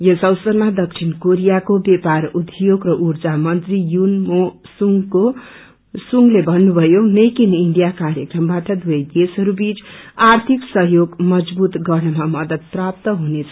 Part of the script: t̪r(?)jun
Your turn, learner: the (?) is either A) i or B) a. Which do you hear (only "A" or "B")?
A